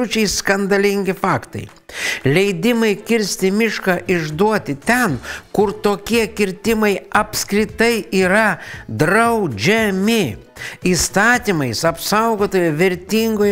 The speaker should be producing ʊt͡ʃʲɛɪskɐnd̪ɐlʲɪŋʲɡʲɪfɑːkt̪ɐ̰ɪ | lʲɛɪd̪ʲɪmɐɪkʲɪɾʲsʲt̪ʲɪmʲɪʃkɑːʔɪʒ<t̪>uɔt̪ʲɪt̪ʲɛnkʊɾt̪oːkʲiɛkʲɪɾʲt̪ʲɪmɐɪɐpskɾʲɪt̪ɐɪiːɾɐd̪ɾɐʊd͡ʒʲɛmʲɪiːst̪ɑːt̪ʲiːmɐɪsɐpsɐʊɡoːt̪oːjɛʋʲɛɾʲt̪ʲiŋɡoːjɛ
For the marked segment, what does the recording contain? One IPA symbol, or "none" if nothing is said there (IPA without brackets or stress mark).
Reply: d̪